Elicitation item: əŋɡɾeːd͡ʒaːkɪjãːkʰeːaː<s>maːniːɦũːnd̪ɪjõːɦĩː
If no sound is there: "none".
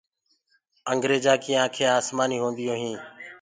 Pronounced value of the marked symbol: s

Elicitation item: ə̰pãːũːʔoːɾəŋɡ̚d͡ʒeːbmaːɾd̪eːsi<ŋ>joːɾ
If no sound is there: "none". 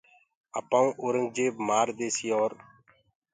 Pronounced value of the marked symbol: none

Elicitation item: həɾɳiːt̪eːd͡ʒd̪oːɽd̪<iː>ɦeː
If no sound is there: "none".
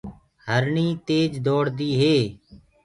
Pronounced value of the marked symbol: iː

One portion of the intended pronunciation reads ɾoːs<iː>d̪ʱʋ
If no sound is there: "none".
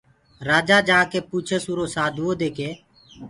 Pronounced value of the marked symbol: aː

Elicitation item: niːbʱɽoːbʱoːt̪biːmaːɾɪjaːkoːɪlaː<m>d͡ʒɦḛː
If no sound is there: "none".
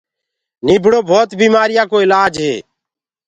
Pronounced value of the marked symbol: none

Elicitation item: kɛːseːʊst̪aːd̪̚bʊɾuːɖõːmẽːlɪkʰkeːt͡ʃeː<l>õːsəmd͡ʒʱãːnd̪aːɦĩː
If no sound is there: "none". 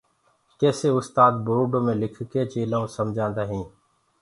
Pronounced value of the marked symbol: l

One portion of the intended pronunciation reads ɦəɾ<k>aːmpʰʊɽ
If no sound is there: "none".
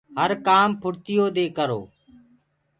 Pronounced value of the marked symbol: k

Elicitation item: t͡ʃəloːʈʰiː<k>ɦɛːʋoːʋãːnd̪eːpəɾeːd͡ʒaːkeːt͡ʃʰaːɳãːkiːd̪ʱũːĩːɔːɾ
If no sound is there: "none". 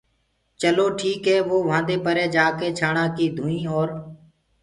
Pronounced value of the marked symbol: k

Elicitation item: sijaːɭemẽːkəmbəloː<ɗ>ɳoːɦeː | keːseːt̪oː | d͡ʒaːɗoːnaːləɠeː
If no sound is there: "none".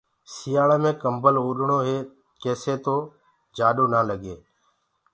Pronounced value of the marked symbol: ɗ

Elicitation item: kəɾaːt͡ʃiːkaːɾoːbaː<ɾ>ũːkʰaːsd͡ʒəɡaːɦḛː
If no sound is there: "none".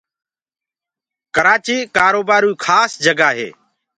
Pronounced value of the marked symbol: ɾ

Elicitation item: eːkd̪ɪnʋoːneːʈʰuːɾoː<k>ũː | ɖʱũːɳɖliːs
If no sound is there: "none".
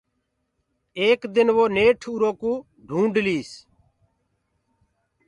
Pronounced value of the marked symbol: k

